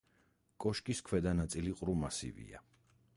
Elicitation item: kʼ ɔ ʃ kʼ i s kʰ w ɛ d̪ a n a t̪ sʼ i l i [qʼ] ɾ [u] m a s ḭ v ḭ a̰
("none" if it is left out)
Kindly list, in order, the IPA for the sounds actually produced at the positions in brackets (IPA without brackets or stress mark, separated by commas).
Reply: qʼ, u